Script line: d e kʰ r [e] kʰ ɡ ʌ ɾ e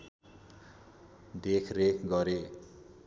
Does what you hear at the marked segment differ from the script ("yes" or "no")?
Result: no